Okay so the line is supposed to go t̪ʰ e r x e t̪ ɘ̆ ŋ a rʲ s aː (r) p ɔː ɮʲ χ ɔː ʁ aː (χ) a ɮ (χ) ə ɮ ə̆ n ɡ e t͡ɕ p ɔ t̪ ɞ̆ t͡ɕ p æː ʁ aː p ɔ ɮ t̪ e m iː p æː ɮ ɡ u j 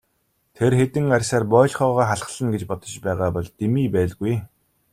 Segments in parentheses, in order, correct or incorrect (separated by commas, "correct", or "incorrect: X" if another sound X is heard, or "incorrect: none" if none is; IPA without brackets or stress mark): correct, correct, correct